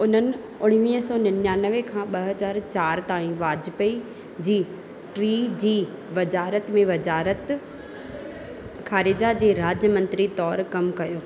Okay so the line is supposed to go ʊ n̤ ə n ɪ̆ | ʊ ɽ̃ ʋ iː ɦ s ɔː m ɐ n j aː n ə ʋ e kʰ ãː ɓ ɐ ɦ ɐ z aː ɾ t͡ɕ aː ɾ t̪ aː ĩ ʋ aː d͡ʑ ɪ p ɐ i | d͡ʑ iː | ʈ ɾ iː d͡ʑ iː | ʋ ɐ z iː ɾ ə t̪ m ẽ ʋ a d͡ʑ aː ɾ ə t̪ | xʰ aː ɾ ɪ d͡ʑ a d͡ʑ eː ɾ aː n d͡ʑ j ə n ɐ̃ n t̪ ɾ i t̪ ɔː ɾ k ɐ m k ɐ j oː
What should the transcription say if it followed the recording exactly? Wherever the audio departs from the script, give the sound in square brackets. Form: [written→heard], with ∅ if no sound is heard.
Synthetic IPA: ʊ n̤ ə n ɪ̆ | ʊ ɽ̃ ʋ iː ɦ s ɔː [m→n] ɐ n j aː n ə ʋ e kʰ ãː ɓ ɐ ɦ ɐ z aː ɾ t͡ɕ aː ɾ t̪ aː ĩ ʋ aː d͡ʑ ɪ p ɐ i | d͡ʑ iː | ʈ ɾ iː d͡ʑ iː | ʋ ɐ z [iː→aː] ɾ ə t̪ m ẽ ʋ [a→ɐ] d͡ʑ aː ɾ ə t̪ | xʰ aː ɾ ɪ d͡ʑ a d͡ʑ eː ɾ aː [n→∅] d͡ʑ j ə [n→m] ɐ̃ n t̪ ɾ i t̪ ɔː ɾ k ɐ m k ɐ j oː